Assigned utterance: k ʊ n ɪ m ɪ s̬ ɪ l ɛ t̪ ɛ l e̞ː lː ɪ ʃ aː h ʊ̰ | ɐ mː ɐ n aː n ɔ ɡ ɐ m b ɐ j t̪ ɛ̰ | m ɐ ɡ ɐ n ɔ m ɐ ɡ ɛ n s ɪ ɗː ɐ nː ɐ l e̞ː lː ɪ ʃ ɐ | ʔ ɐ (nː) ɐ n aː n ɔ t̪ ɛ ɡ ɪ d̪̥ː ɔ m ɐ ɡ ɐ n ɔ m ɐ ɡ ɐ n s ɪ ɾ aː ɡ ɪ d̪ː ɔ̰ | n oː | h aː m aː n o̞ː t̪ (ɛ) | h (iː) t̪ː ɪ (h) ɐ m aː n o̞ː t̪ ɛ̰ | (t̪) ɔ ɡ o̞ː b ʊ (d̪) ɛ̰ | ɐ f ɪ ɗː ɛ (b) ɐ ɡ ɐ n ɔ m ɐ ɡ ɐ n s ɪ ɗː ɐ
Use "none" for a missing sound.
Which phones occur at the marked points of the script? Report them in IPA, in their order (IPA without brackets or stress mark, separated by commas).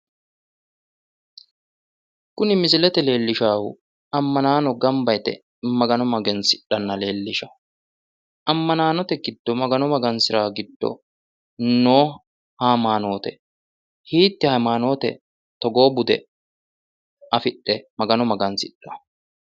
mː, ɛ, iː, h, t̪, d̪, m